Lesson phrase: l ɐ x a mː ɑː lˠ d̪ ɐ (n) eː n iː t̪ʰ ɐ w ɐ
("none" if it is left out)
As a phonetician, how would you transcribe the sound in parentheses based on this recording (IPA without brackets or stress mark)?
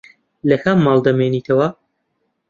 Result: m